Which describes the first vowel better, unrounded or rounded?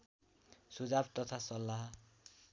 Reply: rounded